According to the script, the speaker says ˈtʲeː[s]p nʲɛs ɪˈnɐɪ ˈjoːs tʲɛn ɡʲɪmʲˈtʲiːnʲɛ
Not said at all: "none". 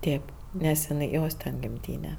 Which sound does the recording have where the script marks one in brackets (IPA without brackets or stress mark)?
none